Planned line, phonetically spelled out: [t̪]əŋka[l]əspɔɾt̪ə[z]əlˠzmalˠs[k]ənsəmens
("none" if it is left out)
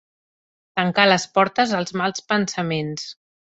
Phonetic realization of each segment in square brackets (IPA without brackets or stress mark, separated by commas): t̪, l, z, p